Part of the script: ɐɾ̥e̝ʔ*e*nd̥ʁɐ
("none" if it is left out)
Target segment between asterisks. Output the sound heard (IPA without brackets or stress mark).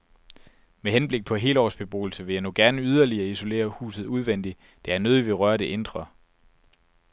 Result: e